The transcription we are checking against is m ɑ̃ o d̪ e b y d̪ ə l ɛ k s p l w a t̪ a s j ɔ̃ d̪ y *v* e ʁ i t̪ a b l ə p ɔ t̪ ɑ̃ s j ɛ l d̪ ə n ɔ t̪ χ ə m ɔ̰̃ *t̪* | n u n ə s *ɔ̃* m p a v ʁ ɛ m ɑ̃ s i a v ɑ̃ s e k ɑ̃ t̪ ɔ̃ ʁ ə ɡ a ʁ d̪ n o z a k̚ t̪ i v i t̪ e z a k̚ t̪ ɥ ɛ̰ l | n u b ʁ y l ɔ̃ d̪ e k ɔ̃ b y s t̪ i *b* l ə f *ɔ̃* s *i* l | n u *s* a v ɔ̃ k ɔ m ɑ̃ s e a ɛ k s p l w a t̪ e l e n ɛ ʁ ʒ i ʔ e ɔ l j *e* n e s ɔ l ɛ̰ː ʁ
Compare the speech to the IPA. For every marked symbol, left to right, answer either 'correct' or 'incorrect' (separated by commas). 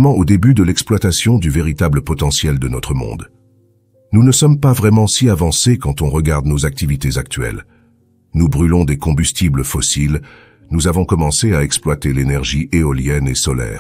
correct, incorrect, incorrect, correct, incorrect, correct, incorrect, incorrect